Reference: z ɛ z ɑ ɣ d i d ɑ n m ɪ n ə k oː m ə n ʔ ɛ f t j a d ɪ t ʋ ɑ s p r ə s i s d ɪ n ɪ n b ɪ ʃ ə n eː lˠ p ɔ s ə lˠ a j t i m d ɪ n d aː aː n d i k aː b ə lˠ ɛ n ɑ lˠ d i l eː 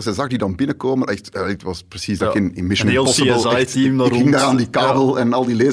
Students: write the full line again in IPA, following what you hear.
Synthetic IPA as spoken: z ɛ z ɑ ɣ d i d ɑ n b ɪ n ə k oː m ə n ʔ ɛ x t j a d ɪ t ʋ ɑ s p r ə s i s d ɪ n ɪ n m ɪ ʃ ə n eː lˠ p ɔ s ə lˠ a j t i m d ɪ ŋ d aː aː n d i k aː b ə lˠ ɛ n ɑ lˠ d i l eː